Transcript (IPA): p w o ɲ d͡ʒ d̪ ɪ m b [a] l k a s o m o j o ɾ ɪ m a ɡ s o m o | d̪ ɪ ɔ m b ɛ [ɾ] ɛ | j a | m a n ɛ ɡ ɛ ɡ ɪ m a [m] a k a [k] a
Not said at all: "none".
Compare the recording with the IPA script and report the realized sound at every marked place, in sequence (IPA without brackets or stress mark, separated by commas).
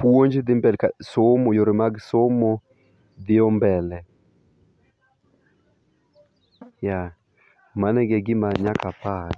ɛ, l, ɲ, p